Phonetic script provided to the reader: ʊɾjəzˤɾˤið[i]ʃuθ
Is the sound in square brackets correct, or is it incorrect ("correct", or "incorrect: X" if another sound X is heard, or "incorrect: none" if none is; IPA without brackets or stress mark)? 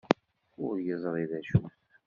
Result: incorrect: æ